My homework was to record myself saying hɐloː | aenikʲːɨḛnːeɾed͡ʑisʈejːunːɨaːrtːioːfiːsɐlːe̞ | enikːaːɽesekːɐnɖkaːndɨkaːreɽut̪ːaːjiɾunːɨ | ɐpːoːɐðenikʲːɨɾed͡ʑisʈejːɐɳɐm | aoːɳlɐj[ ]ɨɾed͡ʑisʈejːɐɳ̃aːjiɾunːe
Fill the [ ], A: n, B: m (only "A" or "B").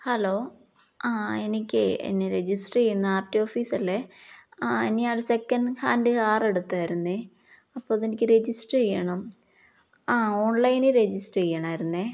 A